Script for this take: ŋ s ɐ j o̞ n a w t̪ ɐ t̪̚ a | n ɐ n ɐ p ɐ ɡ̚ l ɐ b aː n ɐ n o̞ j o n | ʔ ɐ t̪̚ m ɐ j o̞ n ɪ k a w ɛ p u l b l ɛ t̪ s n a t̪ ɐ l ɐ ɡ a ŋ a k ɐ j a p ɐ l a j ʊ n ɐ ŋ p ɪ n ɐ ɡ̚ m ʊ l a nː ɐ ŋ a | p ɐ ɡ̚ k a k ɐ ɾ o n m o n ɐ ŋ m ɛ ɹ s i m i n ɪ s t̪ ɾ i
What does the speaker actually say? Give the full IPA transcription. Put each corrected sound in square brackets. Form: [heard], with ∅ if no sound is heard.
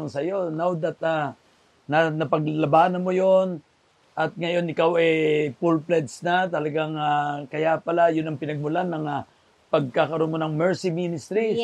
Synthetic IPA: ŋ s ɐ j o̞ n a w [d̪] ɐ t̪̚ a | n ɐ n ɐ p ɐ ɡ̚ l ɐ b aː n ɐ [m] o̞ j o n | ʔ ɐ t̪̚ [ŋ] ɐ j o̞ n ɪ k a w ɛ p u l [p] l ɛ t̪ s n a t̪ ɐ l ɐ ɡ a ŋ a k ɐ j a p ɐ l a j ʊ n ɐ ŋ p ɪ n ɐ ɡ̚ m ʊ l a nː ɐ ŋ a | p ɐ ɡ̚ k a k ɐ ɾ o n m o n ɐ ŋ m ɛ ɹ s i m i n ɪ s t̪ ɾ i